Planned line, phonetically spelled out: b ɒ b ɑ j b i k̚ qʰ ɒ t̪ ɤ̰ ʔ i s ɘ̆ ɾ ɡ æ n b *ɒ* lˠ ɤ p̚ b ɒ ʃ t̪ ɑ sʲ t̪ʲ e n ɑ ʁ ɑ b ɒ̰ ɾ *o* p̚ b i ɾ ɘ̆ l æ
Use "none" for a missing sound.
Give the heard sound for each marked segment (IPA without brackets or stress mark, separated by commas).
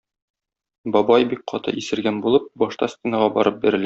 u, ɤ